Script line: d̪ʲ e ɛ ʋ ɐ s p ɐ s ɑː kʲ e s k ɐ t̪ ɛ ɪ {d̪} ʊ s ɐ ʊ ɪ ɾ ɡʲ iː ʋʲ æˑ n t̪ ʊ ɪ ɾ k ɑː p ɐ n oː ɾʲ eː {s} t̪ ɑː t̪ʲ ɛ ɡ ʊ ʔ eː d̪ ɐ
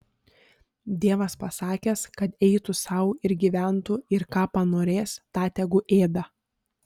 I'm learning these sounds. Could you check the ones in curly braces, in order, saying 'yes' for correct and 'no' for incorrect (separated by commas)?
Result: no, yes